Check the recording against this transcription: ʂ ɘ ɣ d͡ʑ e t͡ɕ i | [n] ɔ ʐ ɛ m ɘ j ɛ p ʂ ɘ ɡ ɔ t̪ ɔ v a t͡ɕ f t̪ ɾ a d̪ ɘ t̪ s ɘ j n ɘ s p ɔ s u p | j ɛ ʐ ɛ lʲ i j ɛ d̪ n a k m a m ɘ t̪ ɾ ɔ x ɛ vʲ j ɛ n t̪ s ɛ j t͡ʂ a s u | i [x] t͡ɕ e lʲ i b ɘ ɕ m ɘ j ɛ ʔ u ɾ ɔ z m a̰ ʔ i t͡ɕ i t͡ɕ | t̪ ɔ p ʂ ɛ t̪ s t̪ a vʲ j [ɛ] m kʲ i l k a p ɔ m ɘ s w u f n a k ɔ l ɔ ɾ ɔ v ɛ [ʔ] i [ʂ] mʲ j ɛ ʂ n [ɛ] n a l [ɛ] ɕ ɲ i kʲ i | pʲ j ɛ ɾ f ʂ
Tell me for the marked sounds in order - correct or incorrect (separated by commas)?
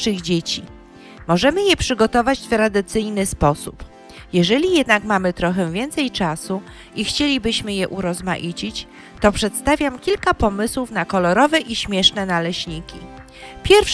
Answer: incorrect, correct, incorrect, correct, incorrect, correct, correct